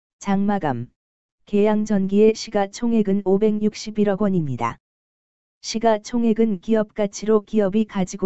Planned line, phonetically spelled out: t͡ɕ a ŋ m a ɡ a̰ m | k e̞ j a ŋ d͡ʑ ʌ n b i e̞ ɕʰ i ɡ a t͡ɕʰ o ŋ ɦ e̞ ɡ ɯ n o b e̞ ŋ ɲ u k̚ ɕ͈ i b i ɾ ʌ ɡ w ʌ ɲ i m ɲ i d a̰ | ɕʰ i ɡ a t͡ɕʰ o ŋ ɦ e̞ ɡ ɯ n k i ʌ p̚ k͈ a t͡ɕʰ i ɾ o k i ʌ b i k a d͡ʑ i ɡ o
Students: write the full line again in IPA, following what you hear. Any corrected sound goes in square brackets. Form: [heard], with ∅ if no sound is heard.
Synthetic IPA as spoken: t͡ɕ a ŋ m a ɡ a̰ m | k e̞ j a ŋ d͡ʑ ʌ n [ɡ] i e̞ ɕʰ i ɡ a t͡ɕʰ o ŋ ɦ e̞ ɡ ɯ n o b e̞ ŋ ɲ u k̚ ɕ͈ i b i ɾ ʌ ɡ w ʌ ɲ i m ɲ i d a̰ | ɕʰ i ɡ a t͡ɕʰ o ŋ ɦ e̞ ɡ ɯ n k i ʌ p̚ k͈ a t͡ɕʰ i ɾ o k i ʌ b i k a d͡ʑ i ɡ o